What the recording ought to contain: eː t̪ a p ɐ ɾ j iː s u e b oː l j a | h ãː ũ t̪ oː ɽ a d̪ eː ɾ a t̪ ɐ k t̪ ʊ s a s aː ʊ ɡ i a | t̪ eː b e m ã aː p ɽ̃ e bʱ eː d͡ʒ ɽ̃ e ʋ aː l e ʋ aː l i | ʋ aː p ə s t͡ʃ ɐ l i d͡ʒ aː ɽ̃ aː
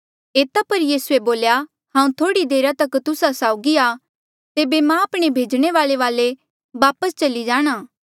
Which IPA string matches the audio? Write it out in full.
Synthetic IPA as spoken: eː t̪ a p ɐ ɾ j iː s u e b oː l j a | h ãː ũ t̪ʰ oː ɽ i d̪ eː ɾ a t̪ ɐ k t̪ ʊ s a s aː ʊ ɡ i a | t̪ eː b e m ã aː p ɽ̃ e bʱ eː d͡ʒ ɽ̃ e ʋ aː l e ʋ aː l e | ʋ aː p ə s t͡ʃ ɐ l i d͡ʒ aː ɽ̃ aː